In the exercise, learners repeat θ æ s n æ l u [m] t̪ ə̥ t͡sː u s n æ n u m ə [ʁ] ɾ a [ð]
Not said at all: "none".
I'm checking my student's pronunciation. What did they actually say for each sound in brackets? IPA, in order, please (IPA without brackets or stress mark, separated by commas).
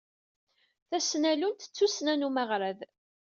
n, ʁ, ð